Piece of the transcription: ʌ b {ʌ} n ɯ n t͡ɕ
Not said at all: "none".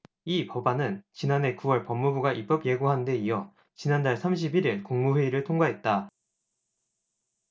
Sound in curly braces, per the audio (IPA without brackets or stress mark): a